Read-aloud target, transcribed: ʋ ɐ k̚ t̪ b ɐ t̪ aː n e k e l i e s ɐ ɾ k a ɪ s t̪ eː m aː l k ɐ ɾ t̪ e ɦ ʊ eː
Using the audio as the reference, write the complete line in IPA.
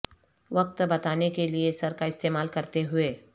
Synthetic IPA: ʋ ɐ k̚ t̪ b ɐ t̪ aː n e k e l i e s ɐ ɾ k a ɪ s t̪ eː m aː l k ɐ ɾ t̪ e ɦ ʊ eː